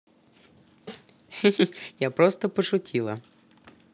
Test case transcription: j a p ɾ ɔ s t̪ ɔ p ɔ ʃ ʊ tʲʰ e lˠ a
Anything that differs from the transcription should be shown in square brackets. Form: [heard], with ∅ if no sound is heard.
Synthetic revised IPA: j a p ɾ ɔ s t̪ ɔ p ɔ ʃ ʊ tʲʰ [i] lˠ [ɐ]